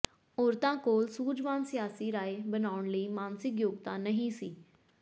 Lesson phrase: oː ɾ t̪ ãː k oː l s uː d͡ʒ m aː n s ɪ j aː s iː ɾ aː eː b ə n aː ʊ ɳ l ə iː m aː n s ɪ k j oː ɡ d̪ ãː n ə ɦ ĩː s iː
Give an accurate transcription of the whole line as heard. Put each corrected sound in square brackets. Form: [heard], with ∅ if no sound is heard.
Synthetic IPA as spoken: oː ɾ t̪ ãː k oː l s uː d͡ʒ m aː n s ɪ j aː s iː ɾ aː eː b ə n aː ʊ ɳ l ə iː m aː n s ɪ k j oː ɡ [t̪] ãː n ə ɦ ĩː s iː